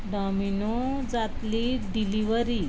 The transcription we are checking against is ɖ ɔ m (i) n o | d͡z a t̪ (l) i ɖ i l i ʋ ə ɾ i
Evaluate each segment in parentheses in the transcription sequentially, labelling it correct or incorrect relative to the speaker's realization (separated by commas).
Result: correct, correct